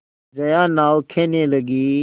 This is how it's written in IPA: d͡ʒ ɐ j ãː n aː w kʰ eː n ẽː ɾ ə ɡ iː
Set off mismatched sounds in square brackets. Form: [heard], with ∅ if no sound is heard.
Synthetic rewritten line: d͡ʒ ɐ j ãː n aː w kʰ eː n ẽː [l] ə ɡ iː